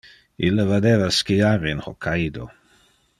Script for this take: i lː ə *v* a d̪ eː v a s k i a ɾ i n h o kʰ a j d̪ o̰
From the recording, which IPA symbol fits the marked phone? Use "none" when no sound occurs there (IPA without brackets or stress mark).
v